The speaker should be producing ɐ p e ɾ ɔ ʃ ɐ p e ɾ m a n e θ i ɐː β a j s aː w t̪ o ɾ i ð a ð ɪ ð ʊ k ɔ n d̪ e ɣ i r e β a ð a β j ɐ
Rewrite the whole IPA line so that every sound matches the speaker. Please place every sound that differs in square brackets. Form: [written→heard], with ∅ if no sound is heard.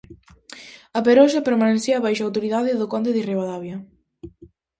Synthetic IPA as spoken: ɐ p e ɾ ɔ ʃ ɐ p e ɾ m a n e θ i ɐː β a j [s→ʃ] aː w t̪ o ɾ i ð a ð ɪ ð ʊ k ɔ n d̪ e [ɣ→ð] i r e β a ð a β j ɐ